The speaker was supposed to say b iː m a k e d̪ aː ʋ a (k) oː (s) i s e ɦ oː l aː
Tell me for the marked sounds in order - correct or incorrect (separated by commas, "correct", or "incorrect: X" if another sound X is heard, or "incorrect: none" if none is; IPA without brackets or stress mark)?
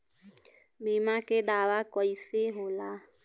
correct, incorrect: none